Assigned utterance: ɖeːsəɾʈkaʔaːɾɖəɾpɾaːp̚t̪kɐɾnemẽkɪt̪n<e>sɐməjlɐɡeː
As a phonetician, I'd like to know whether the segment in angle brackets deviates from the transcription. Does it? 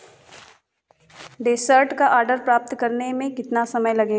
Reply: yes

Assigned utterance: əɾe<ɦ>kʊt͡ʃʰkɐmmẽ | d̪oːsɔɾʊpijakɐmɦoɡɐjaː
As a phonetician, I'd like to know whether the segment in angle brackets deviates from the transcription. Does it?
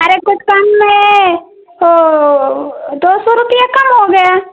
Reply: yes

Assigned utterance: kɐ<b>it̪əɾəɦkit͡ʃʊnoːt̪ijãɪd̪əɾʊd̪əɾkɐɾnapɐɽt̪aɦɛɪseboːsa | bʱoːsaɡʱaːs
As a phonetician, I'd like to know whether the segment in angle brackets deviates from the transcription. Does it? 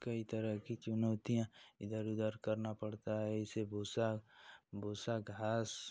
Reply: yes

